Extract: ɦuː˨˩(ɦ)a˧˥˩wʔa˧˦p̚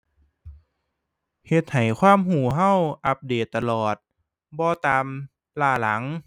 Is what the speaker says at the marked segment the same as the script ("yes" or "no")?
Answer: yes